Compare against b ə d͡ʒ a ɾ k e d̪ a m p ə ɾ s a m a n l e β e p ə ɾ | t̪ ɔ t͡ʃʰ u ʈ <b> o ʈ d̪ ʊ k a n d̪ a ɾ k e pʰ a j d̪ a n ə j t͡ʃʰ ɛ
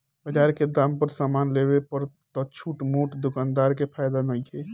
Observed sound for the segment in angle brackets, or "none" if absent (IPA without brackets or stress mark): m